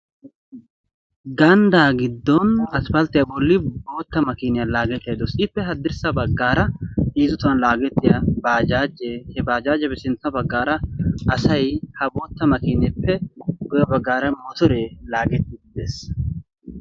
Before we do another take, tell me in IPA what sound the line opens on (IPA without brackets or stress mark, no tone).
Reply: ɡ